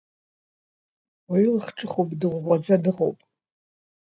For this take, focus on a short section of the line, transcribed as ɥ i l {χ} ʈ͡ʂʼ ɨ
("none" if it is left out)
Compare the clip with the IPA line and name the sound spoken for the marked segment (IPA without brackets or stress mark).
χ